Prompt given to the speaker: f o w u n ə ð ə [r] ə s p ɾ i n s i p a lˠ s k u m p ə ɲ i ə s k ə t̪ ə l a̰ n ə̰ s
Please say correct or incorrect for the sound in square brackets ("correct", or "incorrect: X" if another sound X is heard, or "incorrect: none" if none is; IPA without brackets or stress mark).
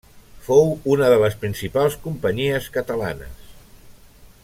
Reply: incorrect: l